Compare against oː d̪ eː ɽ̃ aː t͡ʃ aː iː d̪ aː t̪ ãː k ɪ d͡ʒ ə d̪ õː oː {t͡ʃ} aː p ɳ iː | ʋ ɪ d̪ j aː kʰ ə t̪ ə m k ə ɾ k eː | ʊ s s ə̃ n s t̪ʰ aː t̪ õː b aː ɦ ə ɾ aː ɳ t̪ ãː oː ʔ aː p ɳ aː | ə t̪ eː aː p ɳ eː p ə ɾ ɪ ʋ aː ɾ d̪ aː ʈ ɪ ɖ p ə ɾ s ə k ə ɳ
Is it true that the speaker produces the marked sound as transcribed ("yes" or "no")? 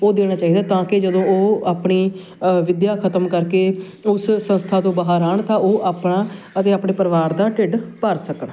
no